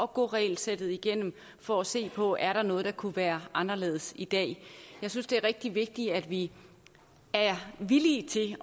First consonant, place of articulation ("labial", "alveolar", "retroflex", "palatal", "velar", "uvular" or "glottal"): velar